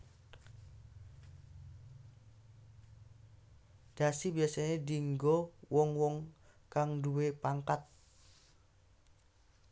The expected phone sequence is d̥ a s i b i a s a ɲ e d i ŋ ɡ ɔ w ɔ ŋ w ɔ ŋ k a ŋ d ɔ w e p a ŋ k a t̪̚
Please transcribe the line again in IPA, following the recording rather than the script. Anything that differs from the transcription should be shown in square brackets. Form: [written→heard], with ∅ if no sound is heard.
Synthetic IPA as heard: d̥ a s i b i a s a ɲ e d i ŋ ɡ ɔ w ɔ ŋ w ɔ ŋ k a ŋ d [ɔ→u] w e p a ŋ k a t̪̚